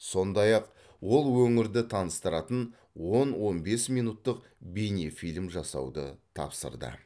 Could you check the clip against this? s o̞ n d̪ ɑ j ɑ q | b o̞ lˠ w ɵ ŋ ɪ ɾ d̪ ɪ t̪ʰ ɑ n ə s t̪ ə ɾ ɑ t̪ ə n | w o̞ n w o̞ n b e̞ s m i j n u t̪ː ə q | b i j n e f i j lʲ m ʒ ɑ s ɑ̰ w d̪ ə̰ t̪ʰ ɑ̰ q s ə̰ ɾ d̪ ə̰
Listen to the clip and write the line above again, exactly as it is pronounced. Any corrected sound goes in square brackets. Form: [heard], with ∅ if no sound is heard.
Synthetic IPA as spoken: s o̞ n d̪ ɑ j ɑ q | [w] o̞ lˠ w ɵ ŋ ɪ ɾ d̪ ɪ t̪ʰ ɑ n ə s t̪ ə ɾ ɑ t̪ ə n | w o̞ n w o̞ n b e̞ s m i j n u t̪ː ə q | b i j n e f i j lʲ m ʒ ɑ s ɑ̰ w d̪ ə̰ t̪ʰ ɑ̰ [p] s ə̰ ɾ d̪ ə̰